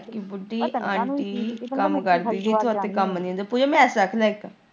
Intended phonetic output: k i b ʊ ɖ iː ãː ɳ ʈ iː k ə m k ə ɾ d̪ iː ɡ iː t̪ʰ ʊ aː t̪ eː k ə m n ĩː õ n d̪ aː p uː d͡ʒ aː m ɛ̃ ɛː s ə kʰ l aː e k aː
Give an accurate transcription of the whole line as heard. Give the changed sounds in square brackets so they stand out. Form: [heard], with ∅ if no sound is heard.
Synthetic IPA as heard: k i b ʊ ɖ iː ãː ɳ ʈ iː k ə m k ə ɾ d̪ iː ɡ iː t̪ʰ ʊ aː t̪ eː k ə m n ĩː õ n d̪ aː p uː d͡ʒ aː m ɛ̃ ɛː s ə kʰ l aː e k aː